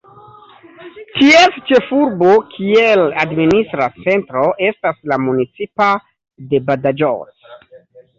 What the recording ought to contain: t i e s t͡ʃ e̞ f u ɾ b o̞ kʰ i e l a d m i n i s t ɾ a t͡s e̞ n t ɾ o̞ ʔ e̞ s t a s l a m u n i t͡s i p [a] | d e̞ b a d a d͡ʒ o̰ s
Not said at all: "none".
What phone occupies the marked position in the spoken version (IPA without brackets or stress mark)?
a